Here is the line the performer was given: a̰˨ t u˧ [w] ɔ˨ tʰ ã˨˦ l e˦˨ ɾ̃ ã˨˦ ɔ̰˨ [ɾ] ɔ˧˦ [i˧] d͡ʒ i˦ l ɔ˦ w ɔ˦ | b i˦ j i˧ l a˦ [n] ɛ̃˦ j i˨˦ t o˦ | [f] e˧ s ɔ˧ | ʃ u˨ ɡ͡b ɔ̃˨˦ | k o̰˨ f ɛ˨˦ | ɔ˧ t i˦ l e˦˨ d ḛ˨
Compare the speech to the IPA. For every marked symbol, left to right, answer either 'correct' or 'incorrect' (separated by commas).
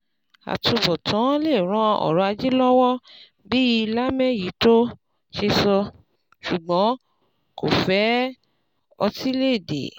incorrect, correct, incorrect, incorrect, incorrect